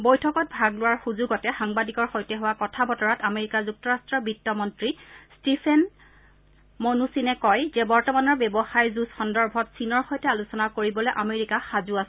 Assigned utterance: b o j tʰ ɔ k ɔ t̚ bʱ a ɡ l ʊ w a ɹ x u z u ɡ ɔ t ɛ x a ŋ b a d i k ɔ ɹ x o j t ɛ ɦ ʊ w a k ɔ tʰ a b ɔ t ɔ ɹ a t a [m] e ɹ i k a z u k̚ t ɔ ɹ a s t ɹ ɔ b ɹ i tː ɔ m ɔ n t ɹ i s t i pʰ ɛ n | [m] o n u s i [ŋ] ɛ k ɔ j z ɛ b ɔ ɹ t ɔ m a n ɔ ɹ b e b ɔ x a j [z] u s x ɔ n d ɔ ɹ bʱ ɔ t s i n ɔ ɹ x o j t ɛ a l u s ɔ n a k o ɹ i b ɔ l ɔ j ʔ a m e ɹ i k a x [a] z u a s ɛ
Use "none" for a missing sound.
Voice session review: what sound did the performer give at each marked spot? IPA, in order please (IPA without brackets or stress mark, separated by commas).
m, m, n, z, a